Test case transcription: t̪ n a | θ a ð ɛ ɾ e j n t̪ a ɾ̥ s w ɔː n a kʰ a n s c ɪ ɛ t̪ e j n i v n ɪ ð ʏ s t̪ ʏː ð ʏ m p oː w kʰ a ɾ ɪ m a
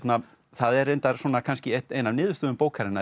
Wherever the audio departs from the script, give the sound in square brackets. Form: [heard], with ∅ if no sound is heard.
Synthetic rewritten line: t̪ n a | θ a ð ɛ ɾ e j n t̪ a ɾ̥ s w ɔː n a kʰ a n s c ɪ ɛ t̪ e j n [a] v n [ɪː] ð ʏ s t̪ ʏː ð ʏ m p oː w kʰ a ɾ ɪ [n] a